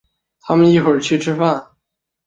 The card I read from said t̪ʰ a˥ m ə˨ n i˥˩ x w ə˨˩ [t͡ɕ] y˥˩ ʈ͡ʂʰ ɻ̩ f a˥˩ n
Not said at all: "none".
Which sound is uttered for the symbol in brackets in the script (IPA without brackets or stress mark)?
t͡ɕʰ